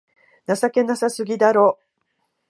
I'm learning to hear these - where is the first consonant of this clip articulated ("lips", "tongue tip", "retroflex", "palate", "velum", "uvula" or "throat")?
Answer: tongue tip